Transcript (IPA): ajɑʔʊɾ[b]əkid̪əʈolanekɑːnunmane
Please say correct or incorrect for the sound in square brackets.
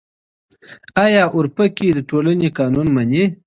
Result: incorrect: p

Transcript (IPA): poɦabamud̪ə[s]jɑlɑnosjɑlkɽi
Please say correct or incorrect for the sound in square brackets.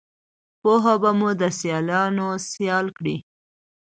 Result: correct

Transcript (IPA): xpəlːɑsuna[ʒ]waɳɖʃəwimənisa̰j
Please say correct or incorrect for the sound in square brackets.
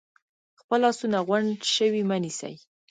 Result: incorrect: ɣ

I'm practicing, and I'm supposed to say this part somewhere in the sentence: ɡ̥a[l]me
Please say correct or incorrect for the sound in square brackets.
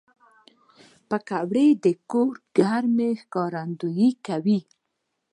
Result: incorrect: ɾ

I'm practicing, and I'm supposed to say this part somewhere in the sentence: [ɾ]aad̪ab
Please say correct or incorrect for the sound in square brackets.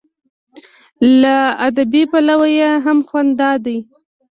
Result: incorrect: l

